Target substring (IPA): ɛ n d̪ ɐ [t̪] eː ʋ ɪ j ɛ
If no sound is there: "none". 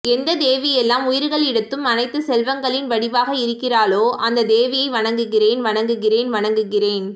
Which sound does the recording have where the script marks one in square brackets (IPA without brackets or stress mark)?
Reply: d̪